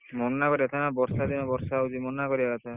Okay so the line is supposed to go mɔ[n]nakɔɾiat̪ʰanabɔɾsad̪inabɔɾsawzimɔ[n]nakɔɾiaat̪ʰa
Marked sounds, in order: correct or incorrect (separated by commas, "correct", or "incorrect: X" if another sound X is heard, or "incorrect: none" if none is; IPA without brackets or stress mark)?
correct, correct